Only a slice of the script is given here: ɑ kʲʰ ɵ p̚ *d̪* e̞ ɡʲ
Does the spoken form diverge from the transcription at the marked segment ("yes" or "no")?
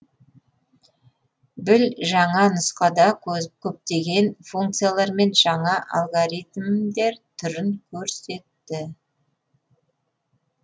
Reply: yes